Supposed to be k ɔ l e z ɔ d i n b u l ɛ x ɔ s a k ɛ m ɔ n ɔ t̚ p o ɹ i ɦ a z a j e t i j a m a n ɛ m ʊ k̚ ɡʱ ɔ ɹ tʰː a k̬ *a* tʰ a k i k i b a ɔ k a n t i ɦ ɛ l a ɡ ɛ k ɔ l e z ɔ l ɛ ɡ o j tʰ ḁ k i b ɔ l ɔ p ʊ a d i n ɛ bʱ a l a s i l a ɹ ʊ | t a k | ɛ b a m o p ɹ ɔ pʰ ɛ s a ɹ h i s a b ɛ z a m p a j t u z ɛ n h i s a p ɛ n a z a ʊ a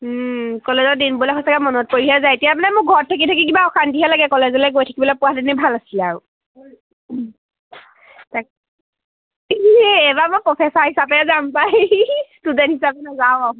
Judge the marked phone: incorrect: i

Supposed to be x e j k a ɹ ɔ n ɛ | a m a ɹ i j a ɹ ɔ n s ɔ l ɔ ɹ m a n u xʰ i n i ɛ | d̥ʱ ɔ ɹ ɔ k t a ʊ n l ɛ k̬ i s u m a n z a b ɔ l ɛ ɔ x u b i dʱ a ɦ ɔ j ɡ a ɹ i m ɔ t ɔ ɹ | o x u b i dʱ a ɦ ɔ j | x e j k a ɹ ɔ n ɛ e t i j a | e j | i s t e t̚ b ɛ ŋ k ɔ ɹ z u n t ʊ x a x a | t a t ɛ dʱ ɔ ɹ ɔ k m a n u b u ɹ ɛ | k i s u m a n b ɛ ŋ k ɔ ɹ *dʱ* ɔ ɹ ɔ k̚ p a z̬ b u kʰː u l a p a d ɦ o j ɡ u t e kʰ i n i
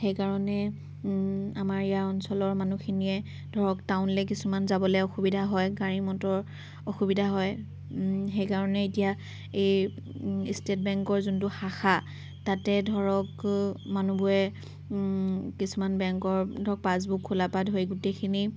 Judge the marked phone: correct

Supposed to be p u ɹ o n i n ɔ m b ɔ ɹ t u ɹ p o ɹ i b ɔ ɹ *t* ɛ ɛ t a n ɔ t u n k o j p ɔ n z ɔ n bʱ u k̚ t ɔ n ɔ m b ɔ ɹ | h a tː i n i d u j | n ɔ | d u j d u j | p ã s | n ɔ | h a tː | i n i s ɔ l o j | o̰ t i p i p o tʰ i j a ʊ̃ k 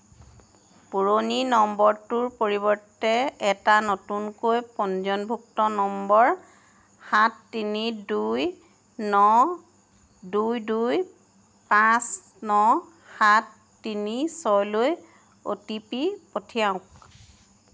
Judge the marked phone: correct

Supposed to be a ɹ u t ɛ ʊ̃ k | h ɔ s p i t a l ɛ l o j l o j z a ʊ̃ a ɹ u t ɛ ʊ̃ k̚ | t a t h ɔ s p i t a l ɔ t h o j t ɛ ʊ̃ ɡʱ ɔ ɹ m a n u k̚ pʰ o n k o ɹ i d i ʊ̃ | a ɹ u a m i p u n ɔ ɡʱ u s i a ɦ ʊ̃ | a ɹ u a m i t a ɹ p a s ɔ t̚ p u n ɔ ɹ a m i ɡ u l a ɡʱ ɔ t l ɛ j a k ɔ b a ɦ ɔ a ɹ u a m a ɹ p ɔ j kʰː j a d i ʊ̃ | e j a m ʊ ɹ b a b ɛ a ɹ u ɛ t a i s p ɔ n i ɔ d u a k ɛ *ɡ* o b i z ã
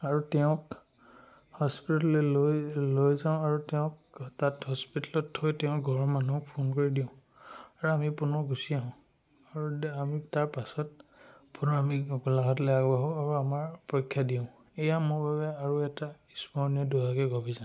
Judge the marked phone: correct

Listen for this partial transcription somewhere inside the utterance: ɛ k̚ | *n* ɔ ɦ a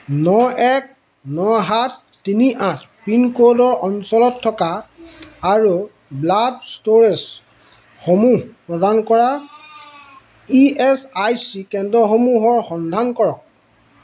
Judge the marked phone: correct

